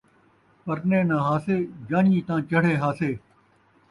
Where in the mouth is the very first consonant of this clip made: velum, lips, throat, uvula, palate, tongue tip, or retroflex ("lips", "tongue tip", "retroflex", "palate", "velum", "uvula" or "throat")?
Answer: lips